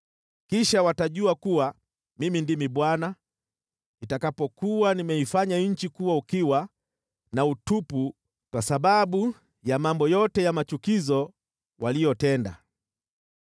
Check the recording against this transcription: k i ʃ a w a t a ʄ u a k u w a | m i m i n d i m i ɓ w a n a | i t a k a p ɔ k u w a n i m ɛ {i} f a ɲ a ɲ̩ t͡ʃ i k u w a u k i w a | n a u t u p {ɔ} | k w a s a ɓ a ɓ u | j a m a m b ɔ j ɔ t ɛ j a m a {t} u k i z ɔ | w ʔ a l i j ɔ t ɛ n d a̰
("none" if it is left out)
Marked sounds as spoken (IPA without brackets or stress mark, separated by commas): i, u, t͡ʃ